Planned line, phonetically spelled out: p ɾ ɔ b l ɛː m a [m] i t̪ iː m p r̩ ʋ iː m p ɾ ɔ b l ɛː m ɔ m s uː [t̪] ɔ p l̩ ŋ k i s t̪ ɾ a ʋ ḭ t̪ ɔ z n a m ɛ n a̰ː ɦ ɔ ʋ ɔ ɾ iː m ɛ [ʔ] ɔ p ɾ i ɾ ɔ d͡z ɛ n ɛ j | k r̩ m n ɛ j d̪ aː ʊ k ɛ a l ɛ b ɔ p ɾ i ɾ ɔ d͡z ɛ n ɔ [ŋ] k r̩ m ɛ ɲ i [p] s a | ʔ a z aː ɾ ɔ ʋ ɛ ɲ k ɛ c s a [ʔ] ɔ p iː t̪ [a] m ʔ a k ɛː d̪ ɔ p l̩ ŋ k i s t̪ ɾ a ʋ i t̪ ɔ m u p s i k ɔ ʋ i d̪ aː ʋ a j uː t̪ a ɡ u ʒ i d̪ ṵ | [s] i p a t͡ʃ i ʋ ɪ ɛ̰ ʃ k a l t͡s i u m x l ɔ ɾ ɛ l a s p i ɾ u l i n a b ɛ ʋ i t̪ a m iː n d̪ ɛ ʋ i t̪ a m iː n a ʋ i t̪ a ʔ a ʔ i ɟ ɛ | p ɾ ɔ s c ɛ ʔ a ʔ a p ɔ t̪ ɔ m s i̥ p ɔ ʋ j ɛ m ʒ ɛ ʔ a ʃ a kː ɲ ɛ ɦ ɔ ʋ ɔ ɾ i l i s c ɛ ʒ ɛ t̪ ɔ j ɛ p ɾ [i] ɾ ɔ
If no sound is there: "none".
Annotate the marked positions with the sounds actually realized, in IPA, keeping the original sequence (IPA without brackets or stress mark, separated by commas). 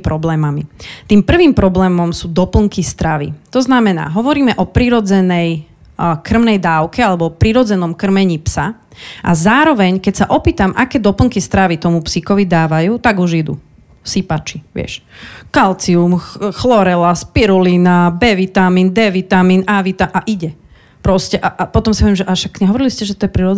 m, d̪, ʔ, m, p, ʔ, a, s, i